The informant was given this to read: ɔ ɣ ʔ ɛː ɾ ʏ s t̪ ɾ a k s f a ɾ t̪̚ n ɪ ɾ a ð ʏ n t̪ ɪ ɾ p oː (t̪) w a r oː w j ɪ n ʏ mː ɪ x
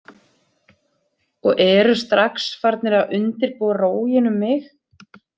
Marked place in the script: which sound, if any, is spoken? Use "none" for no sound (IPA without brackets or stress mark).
none